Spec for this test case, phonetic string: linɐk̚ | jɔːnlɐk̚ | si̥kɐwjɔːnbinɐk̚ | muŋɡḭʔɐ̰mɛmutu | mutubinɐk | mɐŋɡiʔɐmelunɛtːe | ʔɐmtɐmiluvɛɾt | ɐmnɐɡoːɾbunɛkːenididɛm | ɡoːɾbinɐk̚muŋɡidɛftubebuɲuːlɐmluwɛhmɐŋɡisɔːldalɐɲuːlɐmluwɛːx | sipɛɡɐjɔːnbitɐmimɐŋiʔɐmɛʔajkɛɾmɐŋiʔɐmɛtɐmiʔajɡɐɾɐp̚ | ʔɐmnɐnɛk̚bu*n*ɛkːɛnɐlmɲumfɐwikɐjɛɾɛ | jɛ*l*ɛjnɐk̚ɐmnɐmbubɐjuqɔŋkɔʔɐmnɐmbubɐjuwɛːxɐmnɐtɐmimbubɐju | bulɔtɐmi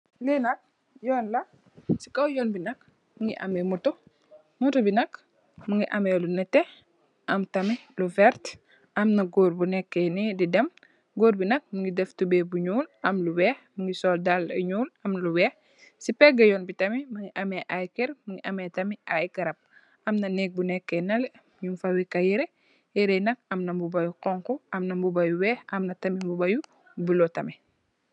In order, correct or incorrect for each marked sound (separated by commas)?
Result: correct, incorrect